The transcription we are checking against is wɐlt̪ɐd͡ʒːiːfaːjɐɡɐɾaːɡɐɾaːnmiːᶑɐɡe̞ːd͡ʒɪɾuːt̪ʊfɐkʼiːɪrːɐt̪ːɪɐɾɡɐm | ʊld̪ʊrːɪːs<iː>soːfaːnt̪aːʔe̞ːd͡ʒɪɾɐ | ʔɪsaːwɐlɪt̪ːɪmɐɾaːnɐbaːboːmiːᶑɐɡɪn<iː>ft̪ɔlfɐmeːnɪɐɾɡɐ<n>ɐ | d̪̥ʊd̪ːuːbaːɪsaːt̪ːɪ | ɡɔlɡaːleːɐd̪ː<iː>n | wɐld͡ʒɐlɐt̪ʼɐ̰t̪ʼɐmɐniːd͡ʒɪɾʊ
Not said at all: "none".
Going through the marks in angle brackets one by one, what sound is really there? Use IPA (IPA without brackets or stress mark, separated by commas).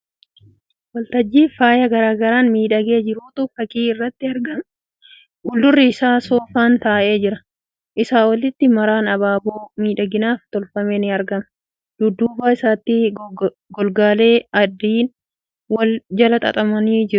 aː, aː, m, iː